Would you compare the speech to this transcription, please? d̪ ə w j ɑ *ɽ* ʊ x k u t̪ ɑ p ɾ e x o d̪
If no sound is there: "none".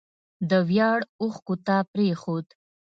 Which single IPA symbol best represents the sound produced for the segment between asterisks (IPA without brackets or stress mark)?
ɽ